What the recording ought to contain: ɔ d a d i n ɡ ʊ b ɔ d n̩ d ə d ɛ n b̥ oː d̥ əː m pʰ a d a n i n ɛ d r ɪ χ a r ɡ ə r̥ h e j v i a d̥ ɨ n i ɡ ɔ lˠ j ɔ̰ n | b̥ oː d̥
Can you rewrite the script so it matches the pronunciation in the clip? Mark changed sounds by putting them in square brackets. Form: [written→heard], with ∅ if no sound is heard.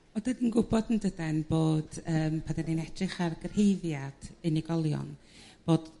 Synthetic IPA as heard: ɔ d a d i n ɡ ʊ b ɔ d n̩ d ə d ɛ n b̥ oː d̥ əː m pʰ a d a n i n ɛ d r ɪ χ a r ɡ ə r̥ h e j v [i→j] a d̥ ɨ n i ɡ ɔ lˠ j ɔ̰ n | b̥ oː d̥